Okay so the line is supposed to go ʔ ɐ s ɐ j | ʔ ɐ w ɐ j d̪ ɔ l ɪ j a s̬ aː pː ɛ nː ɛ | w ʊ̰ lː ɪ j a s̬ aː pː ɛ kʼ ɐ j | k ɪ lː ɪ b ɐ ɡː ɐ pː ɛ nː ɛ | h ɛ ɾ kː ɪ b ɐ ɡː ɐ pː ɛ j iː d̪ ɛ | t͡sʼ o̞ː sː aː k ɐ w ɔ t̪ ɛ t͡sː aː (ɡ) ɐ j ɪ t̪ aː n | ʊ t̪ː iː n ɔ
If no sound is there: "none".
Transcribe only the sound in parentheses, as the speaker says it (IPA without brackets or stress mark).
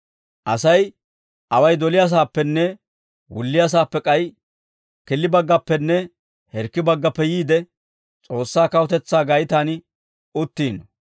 ɡ